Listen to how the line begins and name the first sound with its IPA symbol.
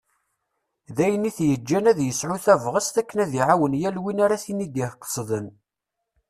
ð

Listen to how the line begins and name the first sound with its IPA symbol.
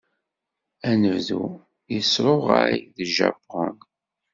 æ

